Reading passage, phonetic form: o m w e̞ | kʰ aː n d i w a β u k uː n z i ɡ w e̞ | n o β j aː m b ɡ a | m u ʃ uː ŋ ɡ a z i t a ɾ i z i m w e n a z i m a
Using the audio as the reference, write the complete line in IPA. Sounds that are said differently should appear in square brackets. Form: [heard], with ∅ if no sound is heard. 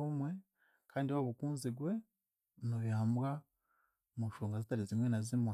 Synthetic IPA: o m w e̞ | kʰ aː n d i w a β u k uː n z i ɡ w e̞ | n o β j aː m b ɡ a | m u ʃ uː ŋ ɡ a z i t a ɾ i z i m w e n a z i m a

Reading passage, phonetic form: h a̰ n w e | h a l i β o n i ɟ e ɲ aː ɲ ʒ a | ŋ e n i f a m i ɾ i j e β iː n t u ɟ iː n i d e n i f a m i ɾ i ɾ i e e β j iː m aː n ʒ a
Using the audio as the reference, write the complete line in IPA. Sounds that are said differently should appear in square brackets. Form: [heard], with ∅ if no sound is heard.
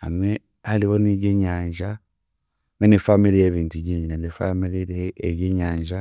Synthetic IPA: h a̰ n w e | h a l i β o n i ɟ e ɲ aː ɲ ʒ a | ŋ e n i f a m i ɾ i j e β iː n t u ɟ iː [ɲ] i [n] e n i f a m i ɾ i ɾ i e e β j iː [ɲ] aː [ɲ] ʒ a

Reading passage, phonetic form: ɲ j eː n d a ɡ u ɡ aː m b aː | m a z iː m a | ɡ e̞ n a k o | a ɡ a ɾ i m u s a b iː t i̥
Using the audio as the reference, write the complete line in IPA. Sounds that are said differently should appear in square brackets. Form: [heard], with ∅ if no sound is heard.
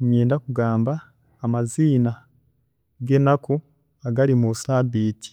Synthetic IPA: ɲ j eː n d a [k] u ɡ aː m b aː | m a z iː [n] a | ɡ e̞ n a k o | a ɡ a ɾ i m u s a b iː t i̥

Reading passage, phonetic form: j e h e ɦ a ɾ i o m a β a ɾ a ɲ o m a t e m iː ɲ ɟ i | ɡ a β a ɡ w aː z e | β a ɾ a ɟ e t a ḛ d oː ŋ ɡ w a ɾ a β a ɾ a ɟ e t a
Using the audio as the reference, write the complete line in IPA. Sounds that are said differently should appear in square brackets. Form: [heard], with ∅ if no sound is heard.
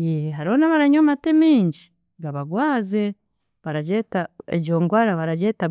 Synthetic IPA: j e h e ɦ a ɾ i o [n] a β a ɾ a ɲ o m a t e m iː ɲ ɟ i | ɡ a β a ɡ w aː z e | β a ɾ a ɟ e t a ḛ [ɟ] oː ŋ ɡ w a ɾ a β a ɾ a ɟ e t a

